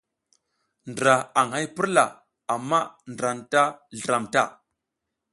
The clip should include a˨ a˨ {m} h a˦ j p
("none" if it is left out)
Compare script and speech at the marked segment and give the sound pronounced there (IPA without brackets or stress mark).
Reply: ŋ